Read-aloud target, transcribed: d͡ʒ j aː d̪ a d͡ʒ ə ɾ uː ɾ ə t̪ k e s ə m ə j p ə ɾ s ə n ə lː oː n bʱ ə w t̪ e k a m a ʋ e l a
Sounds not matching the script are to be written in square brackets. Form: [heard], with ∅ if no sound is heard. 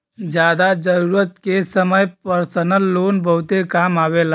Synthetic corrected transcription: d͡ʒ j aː d̪ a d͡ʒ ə ɾ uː ɾ ə t̪ k e s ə m ə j p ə ɾ s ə n ə lː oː n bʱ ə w t̪ e k a m a ʋ e l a